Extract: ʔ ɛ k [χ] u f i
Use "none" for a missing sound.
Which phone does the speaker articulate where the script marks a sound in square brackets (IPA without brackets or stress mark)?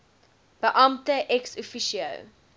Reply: s